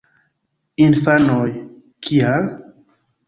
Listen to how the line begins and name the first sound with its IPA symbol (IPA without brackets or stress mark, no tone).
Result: i